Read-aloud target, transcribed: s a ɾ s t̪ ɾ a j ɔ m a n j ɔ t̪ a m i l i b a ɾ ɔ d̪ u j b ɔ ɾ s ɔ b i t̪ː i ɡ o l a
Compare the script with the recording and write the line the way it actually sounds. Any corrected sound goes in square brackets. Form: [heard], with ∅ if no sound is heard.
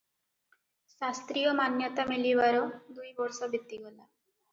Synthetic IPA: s a [∅] s t̪ ɾ [i] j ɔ m a n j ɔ t̪ a m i l i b a ɾ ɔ d̪ u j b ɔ ɾ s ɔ b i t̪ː i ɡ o l a

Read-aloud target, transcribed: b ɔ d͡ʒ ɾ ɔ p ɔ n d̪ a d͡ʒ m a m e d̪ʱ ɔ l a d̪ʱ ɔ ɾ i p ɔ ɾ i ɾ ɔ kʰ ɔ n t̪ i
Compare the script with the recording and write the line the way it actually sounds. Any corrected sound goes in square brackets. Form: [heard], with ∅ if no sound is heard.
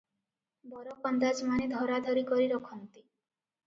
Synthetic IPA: b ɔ [∅] ɾ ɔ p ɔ n d̪ a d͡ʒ m a [n] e d̪ʱ ɔ [ɾ] a d̪ʱ ɔ ɾ i [k] ɔ ɾ i ɾ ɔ kʰ ɔ n t̪ i

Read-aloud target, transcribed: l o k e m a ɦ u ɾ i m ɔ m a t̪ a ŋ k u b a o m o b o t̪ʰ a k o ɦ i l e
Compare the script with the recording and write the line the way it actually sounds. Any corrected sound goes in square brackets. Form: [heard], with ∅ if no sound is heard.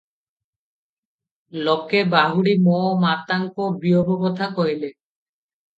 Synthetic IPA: l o k e [b] a ɦ u [ɽ] i m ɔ m a t̪ a ŋ k [o] b [i] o [b] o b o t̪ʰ a k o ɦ i l e

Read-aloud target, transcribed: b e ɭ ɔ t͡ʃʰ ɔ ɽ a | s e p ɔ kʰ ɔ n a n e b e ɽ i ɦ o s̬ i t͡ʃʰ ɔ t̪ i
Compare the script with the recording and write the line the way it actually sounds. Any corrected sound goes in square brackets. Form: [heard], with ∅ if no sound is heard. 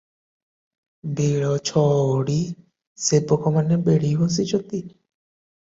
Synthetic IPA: b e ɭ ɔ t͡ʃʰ ɔ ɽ [i] | s e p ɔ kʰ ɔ [m] a n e b e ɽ i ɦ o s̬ i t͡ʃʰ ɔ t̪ i

